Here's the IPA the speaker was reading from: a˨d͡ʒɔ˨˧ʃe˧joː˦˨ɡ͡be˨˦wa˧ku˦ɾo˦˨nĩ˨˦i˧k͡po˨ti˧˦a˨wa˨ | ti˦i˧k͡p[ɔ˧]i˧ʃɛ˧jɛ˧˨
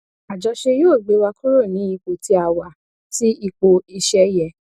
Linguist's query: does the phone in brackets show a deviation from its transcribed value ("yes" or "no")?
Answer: yes